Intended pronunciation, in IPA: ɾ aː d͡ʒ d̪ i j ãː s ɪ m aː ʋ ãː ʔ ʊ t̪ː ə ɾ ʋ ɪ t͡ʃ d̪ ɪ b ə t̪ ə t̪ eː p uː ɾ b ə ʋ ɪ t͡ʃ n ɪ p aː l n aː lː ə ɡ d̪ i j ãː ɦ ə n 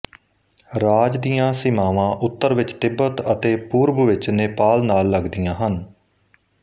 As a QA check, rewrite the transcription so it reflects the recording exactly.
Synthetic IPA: ɾ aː d͡ʒ d̪ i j ãː s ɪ m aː ʋ ãː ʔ ʊ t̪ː ə ɾ ʋ ɪ t͡ʃ t̪ ɪ b ə t̪ ə t̪ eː p uː ɾ b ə ʋ ɪ t͡ʃ n ɪ p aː l n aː lː ə ɡ d̪ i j ãː ɦ ə n